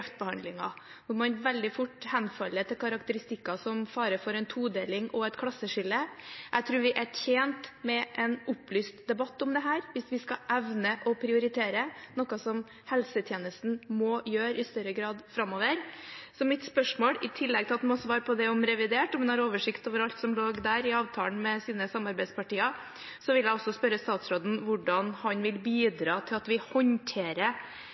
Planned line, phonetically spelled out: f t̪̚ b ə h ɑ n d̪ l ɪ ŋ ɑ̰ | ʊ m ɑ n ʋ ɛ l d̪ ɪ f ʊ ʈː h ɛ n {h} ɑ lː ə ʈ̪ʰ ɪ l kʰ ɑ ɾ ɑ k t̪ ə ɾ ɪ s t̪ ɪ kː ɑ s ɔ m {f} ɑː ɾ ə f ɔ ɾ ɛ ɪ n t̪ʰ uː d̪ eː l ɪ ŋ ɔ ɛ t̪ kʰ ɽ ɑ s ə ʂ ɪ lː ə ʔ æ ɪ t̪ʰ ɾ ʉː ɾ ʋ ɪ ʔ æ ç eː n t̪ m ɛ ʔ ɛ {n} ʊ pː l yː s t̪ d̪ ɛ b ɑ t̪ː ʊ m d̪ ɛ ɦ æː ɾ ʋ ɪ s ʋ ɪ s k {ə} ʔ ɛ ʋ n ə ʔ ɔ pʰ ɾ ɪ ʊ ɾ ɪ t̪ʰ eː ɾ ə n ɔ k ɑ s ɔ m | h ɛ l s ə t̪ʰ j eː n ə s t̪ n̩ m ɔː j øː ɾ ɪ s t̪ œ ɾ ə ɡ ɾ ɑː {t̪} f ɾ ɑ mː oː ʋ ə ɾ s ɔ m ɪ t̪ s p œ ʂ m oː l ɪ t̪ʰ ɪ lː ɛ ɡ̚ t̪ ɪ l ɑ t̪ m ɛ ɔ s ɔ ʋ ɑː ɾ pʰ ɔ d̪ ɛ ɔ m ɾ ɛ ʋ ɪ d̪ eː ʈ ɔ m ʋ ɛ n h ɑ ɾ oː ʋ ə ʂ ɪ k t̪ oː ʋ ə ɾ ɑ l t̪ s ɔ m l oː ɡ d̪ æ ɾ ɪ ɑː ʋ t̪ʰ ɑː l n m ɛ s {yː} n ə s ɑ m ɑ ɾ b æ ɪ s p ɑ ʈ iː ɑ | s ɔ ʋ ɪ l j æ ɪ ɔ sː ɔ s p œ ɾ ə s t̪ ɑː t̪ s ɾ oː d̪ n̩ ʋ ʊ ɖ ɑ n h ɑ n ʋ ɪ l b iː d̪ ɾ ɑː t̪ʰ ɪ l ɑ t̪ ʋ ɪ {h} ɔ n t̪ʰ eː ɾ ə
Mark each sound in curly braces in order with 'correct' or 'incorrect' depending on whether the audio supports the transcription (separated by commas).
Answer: incorrect, correct, correct, incorrect, incorrect, incorrect, correct